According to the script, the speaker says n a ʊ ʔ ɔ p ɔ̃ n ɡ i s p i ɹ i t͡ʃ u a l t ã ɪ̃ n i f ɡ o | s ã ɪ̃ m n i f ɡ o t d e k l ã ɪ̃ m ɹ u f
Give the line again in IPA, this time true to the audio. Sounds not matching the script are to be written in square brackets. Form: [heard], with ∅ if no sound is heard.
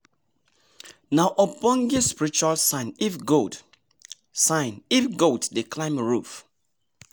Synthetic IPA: n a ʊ ʔ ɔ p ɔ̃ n ɡ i s p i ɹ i t͡ʃ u a l [s] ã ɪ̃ n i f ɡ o | s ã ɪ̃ [∅] n i f ɡ o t d e k l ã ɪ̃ m ɹ u f